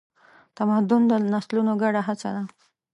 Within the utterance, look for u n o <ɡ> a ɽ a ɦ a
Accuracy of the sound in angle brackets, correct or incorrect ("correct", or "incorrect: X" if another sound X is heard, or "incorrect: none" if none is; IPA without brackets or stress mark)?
correct